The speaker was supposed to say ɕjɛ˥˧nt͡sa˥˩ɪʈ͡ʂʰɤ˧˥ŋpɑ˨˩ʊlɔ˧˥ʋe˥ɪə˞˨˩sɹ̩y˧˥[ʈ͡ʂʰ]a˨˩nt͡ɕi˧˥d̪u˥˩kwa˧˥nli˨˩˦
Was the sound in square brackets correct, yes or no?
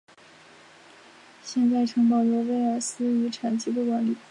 yes